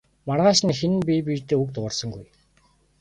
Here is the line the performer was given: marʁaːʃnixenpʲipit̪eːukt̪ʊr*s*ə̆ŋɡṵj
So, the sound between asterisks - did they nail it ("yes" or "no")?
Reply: yes